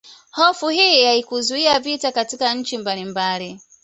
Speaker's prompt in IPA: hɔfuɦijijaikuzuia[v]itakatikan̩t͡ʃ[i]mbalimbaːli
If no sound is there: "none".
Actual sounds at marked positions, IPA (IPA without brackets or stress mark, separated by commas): v, i